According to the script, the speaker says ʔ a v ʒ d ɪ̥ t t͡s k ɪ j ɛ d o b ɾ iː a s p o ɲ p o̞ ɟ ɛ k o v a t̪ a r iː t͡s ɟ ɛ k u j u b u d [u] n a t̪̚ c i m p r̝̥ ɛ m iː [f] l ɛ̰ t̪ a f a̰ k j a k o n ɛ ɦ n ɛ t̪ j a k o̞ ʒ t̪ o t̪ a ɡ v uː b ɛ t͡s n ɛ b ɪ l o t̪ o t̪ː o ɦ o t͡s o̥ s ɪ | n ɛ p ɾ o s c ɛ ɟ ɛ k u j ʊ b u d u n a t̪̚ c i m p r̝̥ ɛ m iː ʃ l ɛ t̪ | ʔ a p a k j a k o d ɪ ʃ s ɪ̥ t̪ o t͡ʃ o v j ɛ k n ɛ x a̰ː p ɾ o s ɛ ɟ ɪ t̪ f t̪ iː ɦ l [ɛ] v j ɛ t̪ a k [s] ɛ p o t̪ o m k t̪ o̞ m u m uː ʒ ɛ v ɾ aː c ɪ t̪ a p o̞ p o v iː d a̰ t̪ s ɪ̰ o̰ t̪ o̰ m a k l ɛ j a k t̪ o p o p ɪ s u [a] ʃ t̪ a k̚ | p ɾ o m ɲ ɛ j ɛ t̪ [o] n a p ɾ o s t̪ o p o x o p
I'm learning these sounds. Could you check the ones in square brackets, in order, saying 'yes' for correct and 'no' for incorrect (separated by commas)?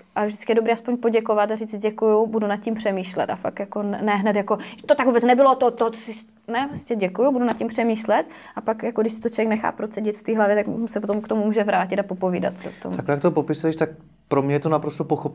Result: yes, no, no, yes, no, yes